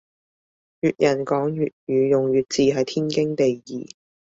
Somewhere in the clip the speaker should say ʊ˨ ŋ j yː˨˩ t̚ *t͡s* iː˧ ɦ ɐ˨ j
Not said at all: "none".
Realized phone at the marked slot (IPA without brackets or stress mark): t͡s